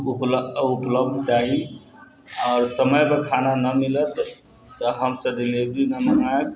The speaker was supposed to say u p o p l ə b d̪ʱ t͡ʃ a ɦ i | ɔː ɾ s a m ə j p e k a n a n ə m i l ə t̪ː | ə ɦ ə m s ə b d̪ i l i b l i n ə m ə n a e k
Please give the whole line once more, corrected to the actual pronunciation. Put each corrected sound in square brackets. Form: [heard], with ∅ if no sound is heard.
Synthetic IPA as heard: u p [u] p l ə b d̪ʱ t͡ʃ a ɦ i | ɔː ɾ s [ə] m ə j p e [kʰ] a n a n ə m i l ə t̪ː | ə ɦ ə m s ə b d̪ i l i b [ɾ] i n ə m ə n a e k